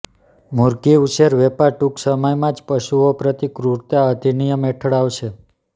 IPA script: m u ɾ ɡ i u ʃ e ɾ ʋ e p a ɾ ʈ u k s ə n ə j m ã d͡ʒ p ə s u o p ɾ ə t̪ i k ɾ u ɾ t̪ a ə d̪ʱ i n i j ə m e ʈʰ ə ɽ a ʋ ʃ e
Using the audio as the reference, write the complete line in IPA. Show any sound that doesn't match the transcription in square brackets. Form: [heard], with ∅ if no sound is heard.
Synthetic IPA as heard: m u ɾ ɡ i u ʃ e ɾ ʋ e p a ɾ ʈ u k s ə [m] ə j m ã d͡ʒ p ə [ʃ] u o p ɾ ə t̪ i k ɾ u ɾ t̪ a ə d̪ʱ i n i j ə m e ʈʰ ə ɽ a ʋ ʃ e